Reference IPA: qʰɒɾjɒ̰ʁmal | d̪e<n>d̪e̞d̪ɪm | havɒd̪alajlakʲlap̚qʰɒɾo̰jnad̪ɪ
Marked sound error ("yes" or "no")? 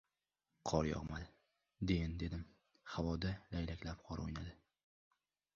no